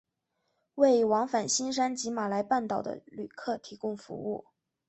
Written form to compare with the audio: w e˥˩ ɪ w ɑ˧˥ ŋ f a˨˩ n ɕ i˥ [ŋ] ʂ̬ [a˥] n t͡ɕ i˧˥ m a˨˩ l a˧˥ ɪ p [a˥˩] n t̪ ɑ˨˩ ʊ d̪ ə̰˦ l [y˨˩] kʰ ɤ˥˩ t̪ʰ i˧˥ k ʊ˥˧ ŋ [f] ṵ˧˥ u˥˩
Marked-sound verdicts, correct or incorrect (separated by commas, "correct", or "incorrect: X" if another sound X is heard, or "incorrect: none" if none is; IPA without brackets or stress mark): incorrect: n, correct, correct, correct, correct